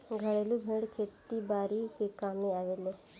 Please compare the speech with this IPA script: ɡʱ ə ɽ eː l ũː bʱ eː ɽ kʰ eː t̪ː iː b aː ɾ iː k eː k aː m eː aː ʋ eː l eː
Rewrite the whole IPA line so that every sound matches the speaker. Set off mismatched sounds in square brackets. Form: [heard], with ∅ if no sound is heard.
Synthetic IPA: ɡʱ ə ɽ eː l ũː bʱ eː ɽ kʰ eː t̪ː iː b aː ɾ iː k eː k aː m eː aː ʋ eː l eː